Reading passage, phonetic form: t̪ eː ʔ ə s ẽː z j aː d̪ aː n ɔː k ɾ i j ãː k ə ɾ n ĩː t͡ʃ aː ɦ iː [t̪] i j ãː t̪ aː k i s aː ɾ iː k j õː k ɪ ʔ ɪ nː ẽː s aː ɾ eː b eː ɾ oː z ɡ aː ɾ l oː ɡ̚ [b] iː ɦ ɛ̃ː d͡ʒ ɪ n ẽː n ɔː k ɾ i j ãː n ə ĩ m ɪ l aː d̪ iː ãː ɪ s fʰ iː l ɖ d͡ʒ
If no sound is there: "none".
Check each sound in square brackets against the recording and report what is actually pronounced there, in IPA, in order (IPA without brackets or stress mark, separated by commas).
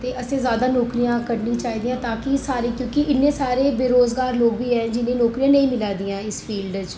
d̪, b